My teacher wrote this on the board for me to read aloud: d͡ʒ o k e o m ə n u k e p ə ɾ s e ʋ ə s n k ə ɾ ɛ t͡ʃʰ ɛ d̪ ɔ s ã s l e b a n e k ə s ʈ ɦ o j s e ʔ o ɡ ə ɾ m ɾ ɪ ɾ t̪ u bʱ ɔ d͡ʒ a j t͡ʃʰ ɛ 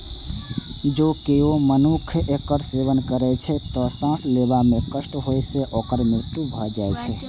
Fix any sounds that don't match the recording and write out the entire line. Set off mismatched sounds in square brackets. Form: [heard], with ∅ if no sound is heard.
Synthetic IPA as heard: d͡ʒ o k e o m ə n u [kʰ] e [k] ə ɾ s e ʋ ə [∅] n k ə ɾ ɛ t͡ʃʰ ɛ [t̪] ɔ s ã s l e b a [m] e k ə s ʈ ɦ o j s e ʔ o [k] ə ɾ m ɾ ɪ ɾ t̪ u bʱ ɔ d͡ʒ a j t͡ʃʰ ɛ